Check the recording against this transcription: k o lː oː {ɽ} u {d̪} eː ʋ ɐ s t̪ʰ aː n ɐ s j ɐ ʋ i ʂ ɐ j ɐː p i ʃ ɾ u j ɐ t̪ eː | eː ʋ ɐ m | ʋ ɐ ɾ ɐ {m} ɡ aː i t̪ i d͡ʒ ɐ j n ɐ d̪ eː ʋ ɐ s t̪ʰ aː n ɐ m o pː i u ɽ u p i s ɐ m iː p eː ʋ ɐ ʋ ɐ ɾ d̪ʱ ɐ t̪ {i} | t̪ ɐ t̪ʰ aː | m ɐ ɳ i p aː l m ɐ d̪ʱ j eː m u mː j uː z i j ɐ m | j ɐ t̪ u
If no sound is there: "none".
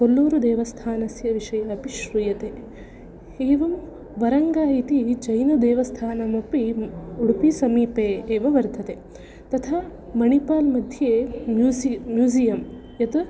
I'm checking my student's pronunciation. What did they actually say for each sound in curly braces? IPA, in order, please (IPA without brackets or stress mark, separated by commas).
ɾ, d̪, ŋ, e